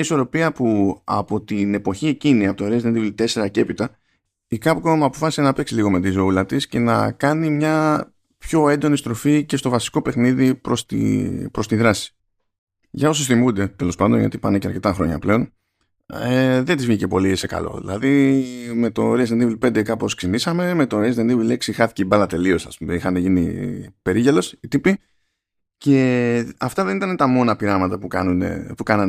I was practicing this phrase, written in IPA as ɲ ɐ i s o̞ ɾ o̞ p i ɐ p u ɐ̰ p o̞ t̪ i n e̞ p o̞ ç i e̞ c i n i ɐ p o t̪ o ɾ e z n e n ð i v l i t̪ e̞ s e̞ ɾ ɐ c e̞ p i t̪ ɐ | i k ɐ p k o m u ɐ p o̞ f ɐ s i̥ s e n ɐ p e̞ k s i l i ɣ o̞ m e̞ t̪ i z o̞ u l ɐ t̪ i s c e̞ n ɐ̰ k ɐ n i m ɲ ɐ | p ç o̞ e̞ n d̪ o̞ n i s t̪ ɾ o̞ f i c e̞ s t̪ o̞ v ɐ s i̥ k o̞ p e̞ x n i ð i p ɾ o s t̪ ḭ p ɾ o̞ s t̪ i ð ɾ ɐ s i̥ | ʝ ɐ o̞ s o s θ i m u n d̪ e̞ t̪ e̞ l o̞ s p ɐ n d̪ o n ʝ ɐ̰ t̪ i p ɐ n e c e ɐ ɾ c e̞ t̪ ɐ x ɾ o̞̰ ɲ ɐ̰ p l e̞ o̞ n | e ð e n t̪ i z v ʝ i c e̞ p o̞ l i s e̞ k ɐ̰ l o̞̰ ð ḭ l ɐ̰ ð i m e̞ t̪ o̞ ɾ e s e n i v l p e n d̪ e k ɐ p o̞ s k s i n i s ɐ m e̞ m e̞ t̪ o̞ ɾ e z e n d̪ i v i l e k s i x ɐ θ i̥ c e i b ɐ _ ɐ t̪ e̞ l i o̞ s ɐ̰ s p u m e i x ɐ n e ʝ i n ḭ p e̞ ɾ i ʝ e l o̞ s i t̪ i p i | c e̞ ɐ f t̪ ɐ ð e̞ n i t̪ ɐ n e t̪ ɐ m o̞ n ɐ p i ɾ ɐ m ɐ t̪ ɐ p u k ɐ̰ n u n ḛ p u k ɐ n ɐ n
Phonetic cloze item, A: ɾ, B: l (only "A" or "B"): B